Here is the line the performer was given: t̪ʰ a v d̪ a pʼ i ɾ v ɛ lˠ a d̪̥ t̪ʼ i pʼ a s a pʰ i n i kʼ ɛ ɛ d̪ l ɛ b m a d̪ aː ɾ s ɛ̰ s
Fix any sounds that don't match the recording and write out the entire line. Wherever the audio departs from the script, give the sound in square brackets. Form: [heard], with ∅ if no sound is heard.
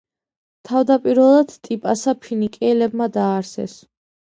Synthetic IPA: t̪ʰ a v d̪ a pʼ i ɾ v ɛ lˠ a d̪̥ t̪ʼ i pʼ a s a pʰ i n i kʼ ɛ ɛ [∅] l ɛ b m a d̪ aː ɾ s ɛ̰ s